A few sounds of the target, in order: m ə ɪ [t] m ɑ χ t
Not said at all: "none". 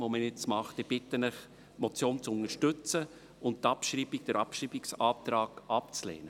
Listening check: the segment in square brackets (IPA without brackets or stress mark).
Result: t͡s